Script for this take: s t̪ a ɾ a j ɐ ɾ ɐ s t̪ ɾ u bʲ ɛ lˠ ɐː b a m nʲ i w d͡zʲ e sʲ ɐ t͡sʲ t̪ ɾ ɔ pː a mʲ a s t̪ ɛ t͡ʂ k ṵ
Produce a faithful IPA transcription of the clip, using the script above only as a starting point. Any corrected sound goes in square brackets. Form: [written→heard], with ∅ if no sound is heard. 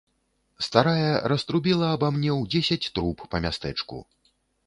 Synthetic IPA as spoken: s t̪ a ɾ a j ɐ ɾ ɐ s t̪ ɾ u bʲ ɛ lˠ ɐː b a m nʲ [i→ɛ] w d͡zʲ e sʲ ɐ t͡sʲ t̪ ɾ [ɔ→u] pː [a→ɐ] mʲ a s t̪ ɛ t͡ʂ k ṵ